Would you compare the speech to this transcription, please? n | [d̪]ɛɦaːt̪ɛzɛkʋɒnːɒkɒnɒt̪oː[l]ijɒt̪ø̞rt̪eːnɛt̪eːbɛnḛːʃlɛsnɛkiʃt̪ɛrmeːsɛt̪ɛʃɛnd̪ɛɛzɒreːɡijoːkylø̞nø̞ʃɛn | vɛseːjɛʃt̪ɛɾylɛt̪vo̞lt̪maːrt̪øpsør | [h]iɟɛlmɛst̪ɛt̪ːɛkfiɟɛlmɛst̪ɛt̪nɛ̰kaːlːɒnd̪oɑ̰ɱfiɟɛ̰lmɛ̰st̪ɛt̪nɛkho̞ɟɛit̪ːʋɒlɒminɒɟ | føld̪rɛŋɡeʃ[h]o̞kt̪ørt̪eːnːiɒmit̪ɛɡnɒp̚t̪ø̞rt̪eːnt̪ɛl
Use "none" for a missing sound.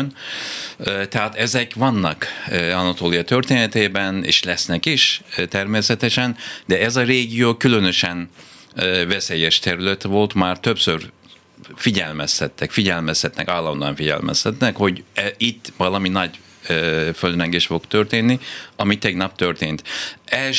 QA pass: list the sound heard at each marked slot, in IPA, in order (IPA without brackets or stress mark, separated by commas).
t̪, l, f, f